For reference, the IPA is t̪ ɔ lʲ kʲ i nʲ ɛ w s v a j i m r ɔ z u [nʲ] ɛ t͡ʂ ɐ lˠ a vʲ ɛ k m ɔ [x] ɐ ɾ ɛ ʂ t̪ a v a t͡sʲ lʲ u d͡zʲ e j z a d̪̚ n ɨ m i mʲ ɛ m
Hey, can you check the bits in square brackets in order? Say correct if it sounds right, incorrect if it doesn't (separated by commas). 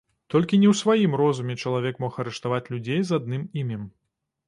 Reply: incorrect, correct